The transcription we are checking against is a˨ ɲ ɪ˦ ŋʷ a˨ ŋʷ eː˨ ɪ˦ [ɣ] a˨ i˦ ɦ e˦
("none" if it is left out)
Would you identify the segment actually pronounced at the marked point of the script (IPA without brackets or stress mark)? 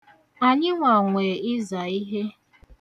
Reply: z